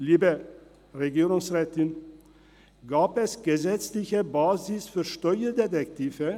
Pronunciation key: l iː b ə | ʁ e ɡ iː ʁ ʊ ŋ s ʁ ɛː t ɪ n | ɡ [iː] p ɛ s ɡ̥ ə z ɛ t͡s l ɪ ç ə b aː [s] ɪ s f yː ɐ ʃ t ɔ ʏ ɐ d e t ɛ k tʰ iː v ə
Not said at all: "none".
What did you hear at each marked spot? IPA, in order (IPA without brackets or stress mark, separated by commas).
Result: aː, z